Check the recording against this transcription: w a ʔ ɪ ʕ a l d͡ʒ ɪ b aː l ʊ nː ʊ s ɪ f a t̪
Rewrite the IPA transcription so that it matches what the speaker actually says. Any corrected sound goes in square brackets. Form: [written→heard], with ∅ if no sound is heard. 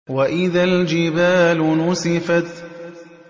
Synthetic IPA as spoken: w a ʔ ɪ [ʕ→ð] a l d͡ʒ ɪ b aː l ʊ [nː→n] ʊ s ɪ f a t̪